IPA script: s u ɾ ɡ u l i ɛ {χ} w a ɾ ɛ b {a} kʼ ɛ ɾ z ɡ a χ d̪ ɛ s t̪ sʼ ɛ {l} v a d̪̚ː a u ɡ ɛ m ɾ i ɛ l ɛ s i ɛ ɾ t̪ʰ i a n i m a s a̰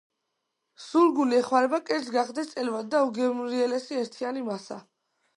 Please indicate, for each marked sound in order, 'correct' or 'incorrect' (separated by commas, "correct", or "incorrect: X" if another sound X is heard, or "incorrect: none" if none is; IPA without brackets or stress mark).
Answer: correct, correct, correct